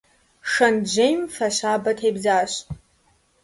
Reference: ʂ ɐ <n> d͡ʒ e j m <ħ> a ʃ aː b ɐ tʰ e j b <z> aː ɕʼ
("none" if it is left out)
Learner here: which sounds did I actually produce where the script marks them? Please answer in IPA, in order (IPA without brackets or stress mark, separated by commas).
n, f, z